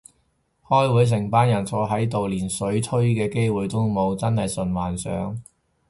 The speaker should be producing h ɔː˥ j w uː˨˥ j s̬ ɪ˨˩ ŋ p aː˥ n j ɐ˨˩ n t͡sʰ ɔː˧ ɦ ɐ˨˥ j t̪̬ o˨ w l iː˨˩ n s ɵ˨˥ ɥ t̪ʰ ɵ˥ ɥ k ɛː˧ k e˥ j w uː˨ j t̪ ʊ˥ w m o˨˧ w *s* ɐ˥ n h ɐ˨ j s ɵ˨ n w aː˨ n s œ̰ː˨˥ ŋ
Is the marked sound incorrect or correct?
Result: incorrect: t͡s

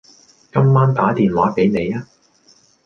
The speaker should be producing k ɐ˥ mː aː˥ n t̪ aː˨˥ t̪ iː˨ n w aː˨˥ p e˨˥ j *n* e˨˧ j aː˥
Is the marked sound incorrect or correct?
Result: correct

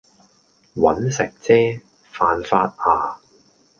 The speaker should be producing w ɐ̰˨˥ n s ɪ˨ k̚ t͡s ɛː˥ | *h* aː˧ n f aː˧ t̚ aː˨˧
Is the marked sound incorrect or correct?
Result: incorrect: f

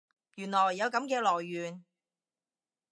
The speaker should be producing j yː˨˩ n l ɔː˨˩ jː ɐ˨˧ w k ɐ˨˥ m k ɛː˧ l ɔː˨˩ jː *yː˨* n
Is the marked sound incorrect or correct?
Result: correct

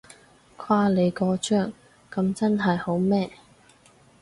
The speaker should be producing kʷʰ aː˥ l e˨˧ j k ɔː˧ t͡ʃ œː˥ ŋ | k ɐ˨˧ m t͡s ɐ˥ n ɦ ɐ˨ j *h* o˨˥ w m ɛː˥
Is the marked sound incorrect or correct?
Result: correct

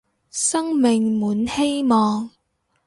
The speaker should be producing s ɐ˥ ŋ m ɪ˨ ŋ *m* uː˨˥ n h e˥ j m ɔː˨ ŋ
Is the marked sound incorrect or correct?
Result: correct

